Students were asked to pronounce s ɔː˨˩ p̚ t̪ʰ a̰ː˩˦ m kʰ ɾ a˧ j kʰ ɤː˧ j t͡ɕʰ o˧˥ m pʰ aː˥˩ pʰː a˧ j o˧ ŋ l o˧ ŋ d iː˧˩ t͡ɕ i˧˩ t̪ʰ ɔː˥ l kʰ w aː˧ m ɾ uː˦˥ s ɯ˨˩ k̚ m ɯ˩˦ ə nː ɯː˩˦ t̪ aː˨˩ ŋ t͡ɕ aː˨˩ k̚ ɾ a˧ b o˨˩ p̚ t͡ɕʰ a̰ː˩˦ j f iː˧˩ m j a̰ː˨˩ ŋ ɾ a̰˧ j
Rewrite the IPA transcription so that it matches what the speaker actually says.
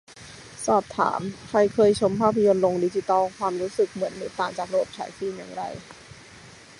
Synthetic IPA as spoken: s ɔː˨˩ p̚ t̪ʰ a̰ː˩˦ m kʰ ɾ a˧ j kʰ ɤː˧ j t͡ɕʰ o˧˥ m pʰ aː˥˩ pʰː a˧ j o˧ n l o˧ ŋ d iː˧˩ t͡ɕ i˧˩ t̪ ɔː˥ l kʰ w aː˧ m ɾ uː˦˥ s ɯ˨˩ k̚ m ɯ˩˦ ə nː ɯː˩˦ t̪ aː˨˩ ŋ t͡ɕ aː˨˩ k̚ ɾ a˧ b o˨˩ p̚ t͡ɕʰ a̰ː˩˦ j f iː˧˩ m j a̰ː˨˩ ŋ ɾ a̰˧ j

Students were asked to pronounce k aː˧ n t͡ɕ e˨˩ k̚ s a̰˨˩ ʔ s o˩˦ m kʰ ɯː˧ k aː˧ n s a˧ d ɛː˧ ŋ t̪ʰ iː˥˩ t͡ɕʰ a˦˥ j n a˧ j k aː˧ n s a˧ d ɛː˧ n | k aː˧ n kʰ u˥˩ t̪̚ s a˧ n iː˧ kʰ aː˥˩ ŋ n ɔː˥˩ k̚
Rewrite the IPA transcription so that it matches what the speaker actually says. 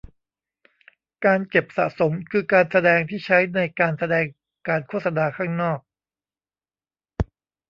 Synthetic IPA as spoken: k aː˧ n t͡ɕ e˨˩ p̚ s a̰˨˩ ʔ s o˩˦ m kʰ ɯː˧ k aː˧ n s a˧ d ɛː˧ ŋ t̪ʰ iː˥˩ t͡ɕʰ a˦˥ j n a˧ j k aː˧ n s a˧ d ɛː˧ ŋ | k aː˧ n kʰ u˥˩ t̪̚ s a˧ n aː˧ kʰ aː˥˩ ŋ n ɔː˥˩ k̚

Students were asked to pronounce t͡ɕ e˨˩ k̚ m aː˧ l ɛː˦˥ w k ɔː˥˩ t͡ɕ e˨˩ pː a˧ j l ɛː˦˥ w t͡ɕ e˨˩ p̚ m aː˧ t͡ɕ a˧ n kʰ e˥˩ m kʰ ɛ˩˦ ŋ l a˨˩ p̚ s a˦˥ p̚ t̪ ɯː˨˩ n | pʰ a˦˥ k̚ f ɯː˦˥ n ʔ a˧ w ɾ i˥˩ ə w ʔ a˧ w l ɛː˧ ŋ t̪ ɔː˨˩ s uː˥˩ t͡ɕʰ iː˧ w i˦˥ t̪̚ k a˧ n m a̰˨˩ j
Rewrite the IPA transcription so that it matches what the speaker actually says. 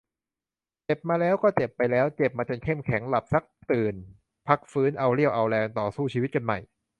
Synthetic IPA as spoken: t͡ɕ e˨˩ p̚ m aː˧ l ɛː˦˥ w k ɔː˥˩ t͡ɕ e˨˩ pː a˧ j l ɛː˦˥ w t͡ɕ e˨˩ p̚ m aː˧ t͡ɕ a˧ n kʰ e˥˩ m kʰ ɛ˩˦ ŋ l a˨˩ p̚ s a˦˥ k̚ t̪ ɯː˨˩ n | pʰ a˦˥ k̚ f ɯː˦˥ n ʔ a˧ w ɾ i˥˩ ə w ʔ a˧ w l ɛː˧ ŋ t̪ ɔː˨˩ s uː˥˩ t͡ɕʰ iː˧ w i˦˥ t̪̚ k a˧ n m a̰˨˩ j

